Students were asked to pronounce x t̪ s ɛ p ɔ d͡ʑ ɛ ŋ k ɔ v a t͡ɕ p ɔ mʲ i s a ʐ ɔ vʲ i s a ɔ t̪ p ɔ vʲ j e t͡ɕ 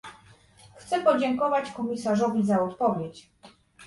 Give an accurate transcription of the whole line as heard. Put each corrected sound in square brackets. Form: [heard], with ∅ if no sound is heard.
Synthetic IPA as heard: x t̪ s ɛ p ɔ d͡ʑ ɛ ŋ k ɔ v a t͡ɕ [k] ɔ mʲ i s a ʐ ɔ vʲ i [z] a ɔ t̪ p ɔ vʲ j e t͡ɕ